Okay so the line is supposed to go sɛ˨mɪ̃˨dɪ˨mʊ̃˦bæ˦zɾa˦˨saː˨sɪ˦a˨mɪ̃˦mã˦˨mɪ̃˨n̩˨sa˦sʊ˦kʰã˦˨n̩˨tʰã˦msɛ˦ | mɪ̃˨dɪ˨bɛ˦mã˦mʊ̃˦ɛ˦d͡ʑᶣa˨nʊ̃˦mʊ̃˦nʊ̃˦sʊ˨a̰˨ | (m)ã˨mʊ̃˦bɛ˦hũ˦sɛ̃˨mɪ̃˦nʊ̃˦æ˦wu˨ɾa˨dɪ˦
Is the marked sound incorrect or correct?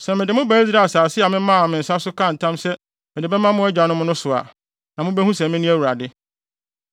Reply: incorrect